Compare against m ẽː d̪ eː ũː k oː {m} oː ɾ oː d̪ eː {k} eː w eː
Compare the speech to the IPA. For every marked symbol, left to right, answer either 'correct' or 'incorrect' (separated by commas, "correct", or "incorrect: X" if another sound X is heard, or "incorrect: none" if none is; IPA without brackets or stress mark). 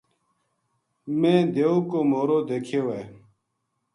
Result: correct, incorrect: kʰ